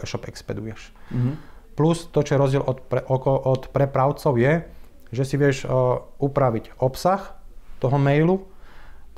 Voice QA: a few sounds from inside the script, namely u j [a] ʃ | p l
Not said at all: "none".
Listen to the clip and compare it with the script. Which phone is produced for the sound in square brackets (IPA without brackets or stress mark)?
ɛ